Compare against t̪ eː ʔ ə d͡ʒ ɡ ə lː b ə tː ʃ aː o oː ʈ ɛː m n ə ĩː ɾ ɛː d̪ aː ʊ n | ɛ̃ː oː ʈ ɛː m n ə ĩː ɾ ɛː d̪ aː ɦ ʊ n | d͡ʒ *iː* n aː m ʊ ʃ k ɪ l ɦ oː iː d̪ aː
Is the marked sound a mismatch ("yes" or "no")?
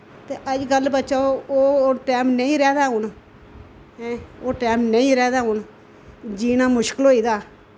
no